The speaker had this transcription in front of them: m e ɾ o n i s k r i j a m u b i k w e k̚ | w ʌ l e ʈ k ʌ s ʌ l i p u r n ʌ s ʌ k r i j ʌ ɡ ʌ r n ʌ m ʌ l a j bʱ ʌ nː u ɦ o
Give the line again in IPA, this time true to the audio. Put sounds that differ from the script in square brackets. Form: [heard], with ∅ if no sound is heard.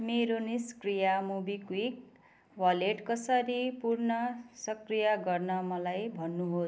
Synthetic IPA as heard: m e ɾ o n i s k r i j a m u b i k w [i] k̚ | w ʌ l e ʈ k ʌ s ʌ [ɾ] i p u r n ʌ s ʌ k r i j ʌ ɡ ʌ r n ʌ m ʌ l a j bʱ ʌ nː u ɦ o